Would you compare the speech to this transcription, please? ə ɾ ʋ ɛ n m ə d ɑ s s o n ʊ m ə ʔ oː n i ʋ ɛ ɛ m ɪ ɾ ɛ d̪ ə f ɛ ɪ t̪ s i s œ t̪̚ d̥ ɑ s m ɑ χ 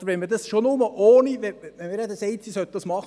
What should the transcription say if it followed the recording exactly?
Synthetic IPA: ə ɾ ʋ ɛ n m ə d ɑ s ʃ o n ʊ m ə ʔ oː n i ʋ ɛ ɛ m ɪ ɾ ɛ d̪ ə s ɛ ɪ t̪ s i s œ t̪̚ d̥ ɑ s m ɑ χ